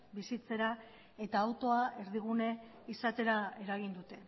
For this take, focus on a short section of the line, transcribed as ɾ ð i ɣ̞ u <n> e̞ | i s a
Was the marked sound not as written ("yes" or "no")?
no